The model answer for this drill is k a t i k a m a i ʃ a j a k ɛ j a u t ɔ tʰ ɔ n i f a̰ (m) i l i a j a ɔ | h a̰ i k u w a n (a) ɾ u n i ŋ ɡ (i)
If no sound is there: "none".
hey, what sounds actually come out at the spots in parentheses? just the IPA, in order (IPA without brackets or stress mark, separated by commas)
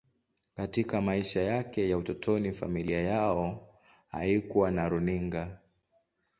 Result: m, a, a